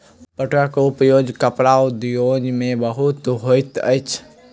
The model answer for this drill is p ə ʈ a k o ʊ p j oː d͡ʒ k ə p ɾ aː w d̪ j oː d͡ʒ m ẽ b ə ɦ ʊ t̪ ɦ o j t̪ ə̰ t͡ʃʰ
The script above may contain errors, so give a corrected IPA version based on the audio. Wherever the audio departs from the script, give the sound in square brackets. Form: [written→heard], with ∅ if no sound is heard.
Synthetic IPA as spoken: p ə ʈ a k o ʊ p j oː d͡ʒ k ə p ɾ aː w d̪ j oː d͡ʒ m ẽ b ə ɦ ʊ t̪ ɦ o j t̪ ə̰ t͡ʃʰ